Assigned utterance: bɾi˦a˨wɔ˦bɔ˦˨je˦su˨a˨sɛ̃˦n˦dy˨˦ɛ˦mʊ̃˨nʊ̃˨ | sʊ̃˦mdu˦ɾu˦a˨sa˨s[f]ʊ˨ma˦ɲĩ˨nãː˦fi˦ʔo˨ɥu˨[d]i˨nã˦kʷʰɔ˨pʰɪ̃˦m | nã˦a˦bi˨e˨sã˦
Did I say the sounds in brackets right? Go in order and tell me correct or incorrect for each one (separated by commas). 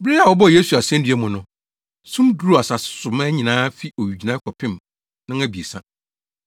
incorrect, incorrect